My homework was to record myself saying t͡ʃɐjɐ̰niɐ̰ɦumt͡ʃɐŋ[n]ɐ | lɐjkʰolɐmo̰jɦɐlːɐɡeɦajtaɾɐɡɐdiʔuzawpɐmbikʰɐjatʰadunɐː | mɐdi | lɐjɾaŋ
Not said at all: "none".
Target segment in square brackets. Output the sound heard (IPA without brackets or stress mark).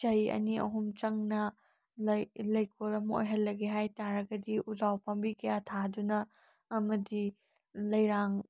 n